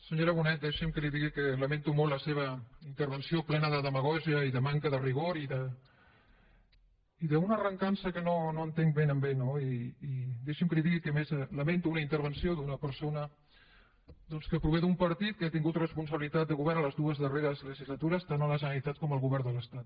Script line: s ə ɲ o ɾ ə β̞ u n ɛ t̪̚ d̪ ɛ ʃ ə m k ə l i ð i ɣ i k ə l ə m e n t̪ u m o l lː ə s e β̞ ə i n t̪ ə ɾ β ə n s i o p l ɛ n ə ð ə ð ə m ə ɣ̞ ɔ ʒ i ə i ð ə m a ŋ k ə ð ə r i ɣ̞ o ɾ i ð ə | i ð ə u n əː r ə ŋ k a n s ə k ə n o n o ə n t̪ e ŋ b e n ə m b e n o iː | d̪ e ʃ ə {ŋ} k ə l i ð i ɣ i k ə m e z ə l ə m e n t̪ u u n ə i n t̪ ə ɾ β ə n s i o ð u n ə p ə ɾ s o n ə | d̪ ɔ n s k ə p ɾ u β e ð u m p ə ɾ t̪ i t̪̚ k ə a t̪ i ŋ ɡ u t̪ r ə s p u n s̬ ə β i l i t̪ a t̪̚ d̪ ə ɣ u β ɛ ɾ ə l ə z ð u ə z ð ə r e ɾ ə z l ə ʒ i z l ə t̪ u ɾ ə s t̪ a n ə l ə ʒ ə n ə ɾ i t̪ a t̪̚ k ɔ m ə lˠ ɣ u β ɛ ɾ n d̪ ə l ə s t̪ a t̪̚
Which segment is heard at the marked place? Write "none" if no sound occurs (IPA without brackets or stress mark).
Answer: m